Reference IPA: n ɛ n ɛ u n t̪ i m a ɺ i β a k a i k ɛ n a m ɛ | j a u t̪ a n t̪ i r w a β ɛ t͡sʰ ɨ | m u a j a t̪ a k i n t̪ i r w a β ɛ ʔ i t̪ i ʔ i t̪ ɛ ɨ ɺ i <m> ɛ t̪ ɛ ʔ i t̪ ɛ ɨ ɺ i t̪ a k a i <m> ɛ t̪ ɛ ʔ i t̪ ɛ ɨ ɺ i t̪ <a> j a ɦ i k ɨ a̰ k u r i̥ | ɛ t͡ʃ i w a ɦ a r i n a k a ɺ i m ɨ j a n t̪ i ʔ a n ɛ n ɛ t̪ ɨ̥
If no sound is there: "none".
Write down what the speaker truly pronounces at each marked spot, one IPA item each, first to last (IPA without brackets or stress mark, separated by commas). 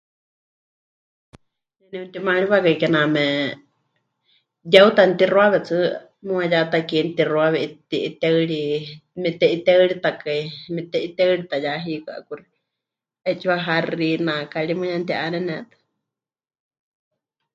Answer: m, m, a